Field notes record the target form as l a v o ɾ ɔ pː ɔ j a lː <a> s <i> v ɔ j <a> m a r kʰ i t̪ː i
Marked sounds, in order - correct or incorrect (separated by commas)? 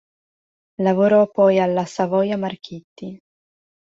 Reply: correct, incorrect, correct